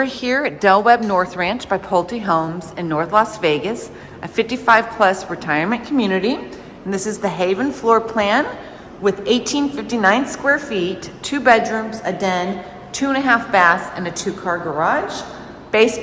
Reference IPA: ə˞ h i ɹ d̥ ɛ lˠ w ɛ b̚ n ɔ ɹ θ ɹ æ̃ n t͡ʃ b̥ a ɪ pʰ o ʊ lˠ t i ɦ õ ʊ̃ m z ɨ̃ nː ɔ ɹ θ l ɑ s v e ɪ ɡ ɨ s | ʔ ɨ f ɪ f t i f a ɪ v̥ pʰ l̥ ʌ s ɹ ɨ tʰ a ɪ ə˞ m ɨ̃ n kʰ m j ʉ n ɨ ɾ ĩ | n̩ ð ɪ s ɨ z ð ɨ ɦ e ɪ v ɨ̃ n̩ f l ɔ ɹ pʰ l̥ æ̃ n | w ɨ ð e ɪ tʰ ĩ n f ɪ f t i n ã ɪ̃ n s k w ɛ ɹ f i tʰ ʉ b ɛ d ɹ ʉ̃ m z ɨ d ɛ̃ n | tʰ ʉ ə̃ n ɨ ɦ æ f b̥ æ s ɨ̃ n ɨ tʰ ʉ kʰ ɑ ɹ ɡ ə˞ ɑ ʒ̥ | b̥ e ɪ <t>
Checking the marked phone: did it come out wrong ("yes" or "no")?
yes